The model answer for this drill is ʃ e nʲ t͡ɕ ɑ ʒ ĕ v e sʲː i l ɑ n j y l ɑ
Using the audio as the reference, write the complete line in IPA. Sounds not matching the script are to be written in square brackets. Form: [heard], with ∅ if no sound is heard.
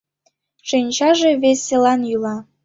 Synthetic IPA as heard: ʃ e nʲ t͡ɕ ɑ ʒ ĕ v e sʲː [e] l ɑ n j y l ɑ